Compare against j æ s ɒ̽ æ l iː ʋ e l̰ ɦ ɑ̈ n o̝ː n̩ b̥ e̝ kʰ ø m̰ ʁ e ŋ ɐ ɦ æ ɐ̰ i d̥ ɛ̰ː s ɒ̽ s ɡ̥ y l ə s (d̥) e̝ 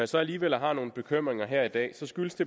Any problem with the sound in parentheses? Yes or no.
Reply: no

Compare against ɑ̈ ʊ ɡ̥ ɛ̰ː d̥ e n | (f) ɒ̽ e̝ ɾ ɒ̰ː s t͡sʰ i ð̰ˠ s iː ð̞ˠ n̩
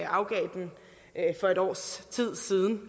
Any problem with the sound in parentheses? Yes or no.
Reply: no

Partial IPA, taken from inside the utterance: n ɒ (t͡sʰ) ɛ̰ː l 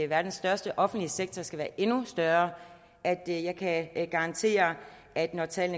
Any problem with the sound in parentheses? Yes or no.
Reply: no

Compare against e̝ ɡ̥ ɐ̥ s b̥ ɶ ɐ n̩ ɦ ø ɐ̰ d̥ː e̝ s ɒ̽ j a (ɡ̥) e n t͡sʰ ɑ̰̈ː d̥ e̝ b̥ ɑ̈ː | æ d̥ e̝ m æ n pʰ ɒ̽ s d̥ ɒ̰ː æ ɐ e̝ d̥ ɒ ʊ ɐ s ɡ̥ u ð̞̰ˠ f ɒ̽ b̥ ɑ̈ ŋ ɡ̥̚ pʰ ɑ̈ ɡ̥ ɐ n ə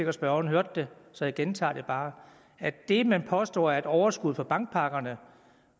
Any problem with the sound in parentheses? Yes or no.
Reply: no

